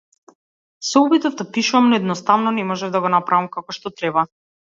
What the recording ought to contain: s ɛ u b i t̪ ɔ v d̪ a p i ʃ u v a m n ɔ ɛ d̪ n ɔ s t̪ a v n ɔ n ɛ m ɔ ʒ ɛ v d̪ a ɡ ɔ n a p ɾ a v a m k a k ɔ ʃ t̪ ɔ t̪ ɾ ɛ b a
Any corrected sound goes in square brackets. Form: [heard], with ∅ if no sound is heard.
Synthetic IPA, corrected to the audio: s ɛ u b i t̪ ɔ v d̪ a p i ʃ u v a m n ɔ ɛ d̪ n ɔ s t̪ a v n ɔ n ɛ m ɔ ʒ ɛ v d̪ a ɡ ɔ n a p ɾ a v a m k a k ɔ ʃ t̪ ɔ t̪ ɾ ɛ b a